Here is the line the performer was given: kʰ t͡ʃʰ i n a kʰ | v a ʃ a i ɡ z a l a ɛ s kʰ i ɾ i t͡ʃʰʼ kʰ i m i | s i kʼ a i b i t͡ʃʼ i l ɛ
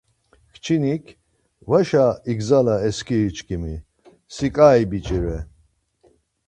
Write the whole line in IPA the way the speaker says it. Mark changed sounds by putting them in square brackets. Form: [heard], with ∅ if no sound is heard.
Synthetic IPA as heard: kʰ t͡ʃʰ i n [i] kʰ | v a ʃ a i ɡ z a l a ɛ s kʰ i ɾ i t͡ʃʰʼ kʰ i m i | s i kʼ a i b i t͡ʃʼ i [ɾ] ɛ